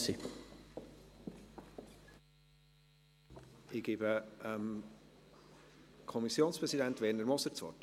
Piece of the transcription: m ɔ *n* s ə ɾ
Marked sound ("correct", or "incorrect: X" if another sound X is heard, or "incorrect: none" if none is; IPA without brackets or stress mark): incorrect: none